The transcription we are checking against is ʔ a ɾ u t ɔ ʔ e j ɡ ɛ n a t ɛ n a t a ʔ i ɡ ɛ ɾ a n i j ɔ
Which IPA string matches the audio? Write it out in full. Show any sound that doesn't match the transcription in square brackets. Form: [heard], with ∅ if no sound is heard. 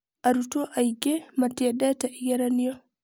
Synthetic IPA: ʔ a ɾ u t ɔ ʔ [a] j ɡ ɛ [m] a t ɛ [d] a t a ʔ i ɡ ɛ ɾ a n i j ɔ